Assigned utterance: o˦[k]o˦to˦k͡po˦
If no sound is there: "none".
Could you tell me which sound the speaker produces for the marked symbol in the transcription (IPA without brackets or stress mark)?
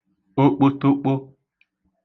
k͡p